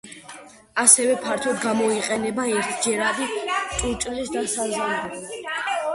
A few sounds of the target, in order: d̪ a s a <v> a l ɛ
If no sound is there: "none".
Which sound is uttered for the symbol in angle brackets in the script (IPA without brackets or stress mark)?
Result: z